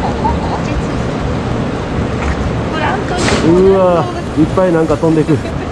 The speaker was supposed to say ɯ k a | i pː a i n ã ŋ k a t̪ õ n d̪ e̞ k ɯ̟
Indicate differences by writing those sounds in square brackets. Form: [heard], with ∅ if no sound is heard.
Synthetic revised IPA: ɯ [∅] a | i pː a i n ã ŋ k a t̪ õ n d̪ e̞ k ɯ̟